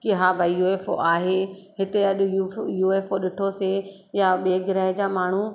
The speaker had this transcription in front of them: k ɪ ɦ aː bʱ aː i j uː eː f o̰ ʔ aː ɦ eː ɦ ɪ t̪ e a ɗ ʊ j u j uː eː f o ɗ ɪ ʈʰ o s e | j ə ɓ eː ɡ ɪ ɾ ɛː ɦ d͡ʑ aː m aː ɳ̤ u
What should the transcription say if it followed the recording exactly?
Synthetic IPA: k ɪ ɦ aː bʱ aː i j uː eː f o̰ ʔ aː ɦ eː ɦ ɪ t̪ e ɐ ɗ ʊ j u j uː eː f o ɗ ɪ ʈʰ o s e | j a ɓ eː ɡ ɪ ɾ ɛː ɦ d͡ʑ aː m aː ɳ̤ u